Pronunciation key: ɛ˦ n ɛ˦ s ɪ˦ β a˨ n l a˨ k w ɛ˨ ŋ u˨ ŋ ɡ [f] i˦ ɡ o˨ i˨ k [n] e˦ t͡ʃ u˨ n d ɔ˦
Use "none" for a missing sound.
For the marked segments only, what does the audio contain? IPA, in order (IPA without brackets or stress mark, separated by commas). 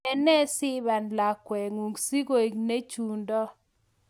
s, n